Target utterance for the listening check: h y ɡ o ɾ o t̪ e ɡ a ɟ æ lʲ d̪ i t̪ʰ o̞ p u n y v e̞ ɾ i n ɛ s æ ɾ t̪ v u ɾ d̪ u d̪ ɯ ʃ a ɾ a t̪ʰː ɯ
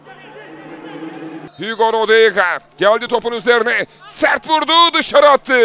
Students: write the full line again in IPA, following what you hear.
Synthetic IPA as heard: h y ɡ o ɾ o d̪ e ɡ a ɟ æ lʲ d̪ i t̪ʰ o̞ p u n y z e̞ ɾ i n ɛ s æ ɾ t̪ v u ɾ d̪ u d̪ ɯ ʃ a ɾ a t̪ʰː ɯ